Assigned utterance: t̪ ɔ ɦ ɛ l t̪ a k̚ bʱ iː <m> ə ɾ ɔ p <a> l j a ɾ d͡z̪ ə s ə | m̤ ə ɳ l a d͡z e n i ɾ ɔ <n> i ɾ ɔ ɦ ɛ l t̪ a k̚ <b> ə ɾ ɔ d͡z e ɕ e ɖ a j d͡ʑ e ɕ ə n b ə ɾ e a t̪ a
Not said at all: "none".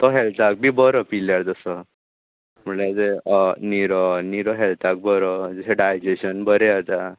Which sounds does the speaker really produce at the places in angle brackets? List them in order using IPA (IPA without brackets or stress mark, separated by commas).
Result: b, i, n, b